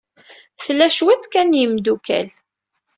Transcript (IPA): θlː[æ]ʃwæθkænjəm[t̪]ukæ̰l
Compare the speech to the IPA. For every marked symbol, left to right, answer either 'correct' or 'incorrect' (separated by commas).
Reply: correct, incorrect